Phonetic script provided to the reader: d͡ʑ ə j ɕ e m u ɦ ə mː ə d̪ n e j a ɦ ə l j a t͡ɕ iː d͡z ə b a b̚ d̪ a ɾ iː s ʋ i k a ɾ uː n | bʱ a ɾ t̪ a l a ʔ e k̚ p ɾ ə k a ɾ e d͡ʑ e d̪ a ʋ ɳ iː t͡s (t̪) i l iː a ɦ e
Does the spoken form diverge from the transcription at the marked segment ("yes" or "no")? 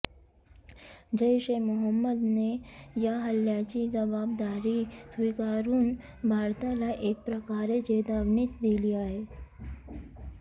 yes